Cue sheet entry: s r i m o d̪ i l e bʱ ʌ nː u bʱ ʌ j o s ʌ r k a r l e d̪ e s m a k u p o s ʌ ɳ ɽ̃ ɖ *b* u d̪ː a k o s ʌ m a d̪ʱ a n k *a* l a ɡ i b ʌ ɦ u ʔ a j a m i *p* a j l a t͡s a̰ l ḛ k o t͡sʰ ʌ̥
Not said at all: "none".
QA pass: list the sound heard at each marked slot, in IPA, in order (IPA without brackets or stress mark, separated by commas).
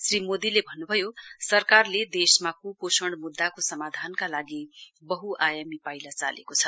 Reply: m, a, p